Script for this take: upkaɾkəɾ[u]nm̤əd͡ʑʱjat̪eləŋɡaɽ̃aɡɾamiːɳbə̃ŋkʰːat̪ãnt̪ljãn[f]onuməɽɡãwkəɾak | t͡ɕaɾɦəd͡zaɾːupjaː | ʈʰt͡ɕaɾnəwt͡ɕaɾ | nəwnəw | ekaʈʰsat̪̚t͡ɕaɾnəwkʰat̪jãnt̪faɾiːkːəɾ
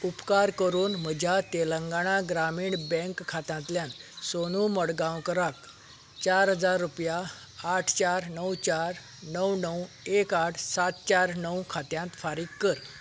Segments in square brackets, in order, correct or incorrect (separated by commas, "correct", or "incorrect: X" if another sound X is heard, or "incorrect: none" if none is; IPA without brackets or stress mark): incorrect: uː, incorrect: s